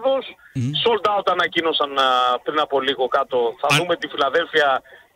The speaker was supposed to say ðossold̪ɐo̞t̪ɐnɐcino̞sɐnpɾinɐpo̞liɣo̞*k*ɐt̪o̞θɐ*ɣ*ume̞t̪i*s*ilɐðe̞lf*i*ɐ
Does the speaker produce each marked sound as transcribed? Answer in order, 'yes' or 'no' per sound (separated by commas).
yes, no, no, yes